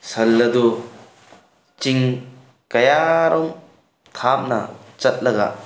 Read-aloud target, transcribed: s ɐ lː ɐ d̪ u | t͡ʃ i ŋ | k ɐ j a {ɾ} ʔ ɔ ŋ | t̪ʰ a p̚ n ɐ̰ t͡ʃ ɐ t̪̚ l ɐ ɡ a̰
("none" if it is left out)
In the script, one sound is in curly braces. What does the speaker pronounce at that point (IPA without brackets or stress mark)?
ɾ